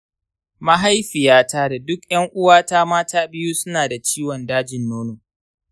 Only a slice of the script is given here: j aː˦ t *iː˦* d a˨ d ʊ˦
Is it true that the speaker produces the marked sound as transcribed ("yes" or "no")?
no